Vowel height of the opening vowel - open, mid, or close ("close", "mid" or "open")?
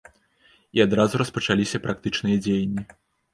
close